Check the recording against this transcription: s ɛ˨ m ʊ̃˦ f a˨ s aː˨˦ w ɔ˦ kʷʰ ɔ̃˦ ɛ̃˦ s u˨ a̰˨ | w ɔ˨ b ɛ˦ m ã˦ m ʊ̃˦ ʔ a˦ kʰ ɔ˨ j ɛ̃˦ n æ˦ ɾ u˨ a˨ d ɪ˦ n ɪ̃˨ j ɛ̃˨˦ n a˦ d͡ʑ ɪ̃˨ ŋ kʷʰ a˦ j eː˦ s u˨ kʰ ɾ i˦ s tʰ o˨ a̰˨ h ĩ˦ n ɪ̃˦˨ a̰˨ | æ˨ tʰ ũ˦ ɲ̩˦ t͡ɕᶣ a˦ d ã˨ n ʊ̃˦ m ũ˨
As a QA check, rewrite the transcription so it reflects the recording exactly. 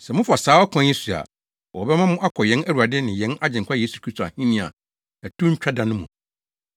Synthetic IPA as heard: s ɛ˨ m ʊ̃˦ f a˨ s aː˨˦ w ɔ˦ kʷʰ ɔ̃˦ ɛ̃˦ s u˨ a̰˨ | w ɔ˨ b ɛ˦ m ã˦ m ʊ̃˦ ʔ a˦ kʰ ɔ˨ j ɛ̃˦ n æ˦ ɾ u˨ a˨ d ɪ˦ n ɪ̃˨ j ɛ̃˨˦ n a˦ d͡ʑ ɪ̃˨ ŋ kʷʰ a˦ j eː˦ s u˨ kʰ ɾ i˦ s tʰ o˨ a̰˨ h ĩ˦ n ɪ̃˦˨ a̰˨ | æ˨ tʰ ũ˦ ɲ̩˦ t͡ɕᶣ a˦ d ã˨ n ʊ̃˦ m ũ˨